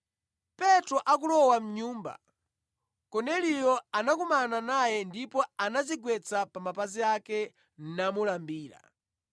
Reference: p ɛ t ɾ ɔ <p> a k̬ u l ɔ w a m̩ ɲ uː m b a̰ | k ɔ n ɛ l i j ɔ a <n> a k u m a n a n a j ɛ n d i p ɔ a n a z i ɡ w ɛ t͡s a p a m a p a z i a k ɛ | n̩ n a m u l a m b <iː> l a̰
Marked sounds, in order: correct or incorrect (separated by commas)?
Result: incorrect, correct, correct